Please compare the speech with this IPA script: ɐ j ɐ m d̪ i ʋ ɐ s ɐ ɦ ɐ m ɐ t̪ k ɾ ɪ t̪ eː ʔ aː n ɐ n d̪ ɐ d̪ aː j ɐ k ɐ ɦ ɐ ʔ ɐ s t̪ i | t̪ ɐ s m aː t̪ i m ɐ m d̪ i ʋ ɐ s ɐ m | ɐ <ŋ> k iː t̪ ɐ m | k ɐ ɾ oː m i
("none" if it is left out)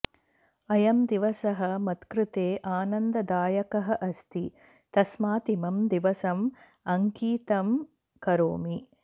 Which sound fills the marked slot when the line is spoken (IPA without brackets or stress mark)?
ŋ